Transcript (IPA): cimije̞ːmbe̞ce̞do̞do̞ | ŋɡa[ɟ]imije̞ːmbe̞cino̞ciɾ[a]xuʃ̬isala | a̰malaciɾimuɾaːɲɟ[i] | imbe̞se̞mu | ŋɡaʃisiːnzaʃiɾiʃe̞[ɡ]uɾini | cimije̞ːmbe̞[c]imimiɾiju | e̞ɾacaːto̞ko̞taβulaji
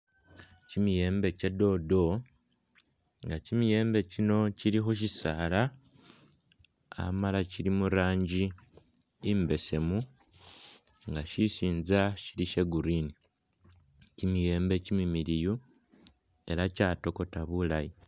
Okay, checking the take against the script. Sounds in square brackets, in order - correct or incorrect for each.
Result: incorrect, incorrect, correct, correct, correct

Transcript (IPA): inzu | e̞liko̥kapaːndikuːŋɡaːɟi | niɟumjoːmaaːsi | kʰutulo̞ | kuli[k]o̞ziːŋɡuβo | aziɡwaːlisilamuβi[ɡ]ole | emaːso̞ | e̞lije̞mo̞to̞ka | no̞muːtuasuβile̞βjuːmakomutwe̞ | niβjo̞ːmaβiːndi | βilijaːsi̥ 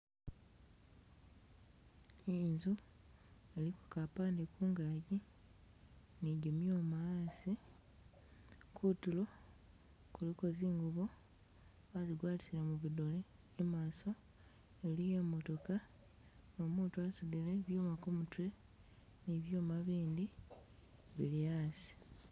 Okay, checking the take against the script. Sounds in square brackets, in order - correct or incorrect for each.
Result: correct, incorrect

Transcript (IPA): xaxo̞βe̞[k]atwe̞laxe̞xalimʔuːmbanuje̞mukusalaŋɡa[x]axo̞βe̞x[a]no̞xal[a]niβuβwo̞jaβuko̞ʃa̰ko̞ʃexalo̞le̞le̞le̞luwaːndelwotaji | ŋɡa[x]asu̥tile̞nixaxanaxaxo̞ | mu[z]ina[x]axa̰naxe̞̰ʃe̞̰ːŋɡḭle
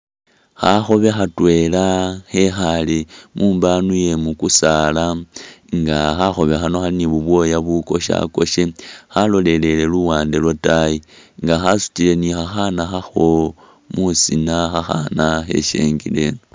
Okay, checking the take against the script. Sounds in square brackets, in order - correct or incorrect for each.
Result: incorrect, correct, correct, incorrect, correct, incorrect, correct

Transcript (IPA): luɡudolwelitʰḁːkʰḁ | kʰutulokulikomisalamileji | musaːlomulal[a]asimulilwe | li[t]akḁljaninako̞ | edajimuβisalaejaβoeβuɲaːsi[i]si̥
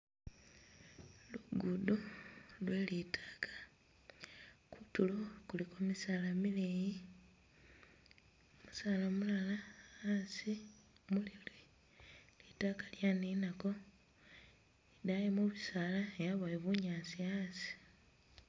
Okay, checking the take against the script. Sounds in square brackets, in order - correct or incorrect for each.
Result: correct, correct, incorrect

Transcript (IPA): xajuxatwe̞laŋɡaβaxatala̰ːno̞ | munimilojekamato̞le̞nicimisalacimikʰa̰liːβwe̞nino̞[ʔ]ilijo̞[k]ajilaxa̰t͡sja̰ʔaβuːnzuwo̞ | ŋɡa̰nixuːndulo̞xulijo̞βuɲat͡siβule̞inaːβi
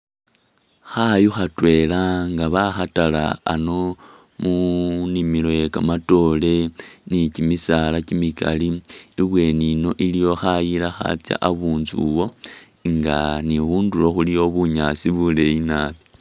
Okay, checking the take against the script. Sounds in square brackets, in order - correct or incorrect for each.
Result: correct, incorrect

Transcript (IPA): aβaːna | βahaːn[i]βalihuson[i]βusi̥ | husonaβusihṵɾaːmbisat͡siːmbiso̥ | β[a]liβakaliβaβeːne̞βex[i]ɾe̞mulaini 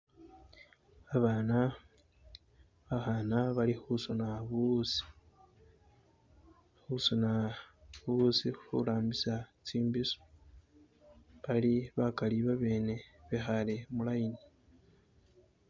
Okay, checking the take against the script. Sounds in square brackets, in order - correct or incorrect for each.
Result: incorrect, incorrect, correct, incorrect

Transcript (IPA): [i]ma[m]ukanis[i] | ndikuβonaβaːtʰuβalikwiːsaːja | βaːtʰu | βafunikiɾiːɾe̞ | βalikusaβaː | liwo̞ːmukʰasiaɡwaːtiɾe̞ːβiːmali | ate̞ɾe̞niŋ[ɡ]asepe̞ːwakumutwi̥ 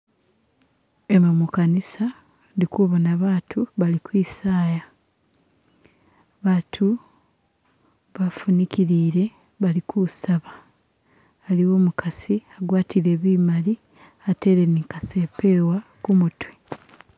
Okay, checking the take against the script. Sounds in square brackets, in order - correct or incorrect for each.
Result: incorrect, correct, incorrect, incorrect

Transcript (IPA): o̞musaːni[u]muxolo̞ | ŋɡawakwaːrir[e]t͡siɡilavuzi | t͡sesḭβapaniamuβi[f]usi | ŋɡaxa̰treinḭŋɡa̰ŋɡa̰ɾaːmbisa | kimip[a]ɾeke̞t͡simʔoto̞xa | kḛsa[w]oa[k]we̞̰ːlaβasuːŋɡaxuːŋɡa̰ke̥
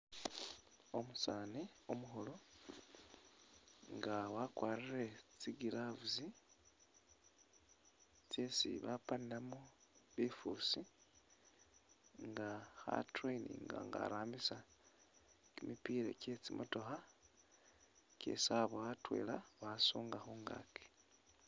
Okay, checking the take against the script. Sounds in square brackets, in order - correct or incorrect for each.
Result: incorrect, correct, correct, incorrect, incorrect, incorrect

